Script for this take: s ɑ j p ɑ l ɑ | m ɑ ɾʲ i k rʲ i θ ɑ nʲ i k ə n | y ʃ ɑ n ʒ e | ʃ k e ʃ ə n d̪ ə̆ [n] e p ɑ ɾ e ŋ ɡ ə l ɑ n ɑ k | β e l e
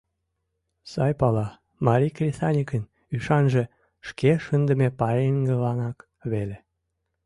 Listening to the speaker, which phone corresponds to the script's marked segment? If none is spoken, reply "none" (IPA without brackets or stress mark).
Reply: m